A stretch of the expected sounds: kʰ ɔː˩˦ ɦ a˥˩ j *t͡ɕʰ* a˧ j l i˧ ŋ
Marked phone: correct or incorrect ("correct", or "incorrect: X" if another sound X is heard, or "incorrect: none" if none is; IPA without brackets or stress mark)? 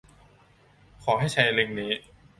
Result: correct